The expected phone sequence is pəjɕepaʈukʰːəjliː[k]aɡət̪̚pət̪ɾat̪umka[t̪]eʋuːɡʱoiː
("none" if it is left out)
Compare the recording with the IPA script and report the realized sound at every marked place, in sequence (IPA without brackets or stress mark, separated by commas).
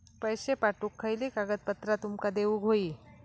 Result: k, d̪